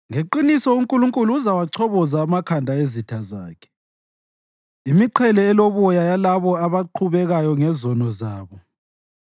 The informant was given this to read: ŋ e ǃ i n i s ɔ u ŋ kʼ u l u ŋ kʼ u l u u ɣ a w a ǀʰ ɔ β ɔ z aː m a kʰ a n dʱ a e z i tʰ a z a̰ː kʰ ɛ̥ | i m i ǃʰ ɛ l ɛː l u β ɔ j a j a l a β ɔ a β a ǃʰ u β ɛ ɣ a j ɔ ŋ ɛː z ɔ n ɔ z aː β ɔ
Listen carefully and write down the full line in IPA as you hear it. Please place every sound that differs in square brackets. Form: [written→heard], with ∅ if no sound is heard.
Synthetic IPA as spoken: ŋ e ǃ i n i s ɔ u ŋ kʼ u l u ŋ kʼ u l u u [ɣ→z] a w a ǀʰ ɔ β ɔ z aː m a kʰ a n dʱ a e z i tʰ a z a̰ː kʰ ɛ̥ | i m i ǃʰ ɛ l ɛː l [u→o] β ɔ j a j a l a β ɔ a β a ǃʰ u β ɛ ɣ a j ɔ ŋ [ɛː→ɛ] z ɔ n ɔ z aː β ɔ